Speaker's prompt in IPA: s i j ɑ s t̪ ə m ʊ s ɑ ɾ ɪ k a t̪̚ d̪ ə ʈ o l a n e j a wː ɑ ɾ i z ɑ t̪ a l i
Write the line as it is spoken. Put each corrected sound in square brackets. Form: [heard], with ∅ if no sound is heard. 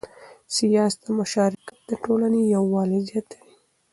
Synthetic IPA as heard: s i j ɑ s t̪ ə m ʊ [ʃ] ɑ ɾ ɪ k a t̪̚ d̪ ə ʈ o l a n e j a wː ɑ [l] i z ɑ t̪ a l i